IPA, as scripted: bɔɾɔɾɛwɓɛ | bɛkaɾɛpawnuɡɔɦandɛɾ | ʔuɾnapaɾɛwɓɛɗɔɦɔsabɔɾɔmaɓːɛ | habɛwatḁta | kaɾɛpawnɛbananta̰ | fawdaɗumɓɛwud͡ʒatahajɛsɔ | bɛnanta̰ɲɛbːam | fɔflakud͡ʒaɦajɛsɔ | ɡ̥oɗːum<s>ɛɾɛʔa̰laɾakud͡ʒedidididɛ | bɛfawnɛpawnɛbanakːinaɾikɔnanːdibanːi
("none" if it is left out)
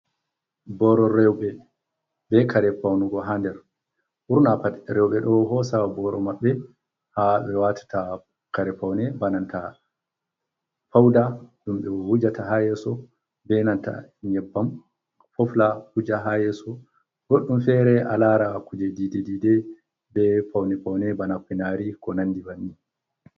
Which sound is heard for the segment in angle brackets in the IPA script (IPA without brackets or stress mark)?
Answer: f